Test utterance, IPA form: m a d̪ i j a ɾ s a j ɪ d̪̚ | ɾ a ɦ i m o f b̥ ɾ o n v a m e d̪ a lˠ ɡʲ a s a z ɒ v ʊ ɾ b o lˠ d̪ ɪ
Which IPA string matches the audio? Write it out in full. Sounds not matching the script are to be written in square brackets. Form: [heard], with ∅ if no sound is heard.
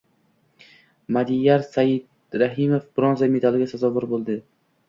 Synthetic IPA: m a d̪ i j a ɾ s a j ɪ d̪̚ | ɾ a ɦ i m o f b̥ ɾ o n [z] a m e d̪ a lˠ ɡʲ a s a z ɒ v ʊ ɾ b o lˠ d̪ ɪ